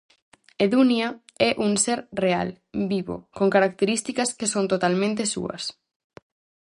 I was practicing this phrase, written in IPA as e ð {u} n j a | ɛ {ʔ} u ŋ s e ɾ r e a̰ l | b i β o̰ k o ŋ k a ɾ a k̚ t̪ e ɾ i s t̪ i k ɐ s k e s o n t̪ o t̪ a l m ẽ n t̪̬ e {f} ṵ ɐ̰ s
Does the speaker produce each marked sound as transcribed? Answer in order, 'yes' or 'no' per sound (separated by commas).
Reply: yes, yes, no